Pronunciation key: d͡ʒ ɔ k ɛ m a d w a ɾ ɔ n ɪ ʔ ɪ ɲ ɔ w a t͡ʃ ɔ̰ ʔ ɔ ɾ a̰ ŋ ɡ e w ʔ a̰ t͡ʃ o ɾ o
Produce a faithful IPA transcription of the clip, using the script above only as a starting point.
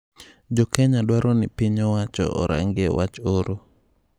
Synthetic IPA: d͡ʒ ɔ k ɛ ɲ a d w a ɾ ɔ n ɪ p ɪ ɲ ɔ w a t͡ʃ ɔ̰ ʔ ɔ ɾ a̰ ŋ ɡ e w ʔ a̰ t͡ʃ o ɾ o